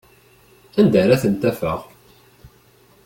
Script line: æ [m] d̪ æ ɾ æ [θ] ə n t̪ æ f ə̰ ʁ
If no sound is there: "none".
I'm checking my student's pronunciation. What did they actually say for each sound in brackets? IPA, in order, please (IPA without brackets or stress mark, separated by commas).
n, θ